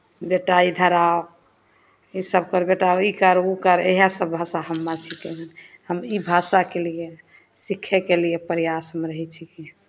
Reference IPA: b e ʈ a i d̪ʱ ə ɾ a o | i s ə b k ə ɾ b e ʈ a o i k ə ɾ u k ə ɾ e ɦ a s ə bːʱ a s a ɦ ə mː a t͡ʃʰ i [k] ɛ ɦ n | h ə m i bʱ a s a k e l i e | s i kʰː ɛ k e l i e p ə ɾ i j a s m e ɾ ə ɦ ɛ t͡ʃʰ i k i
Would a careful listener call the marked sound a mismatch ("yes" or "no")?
no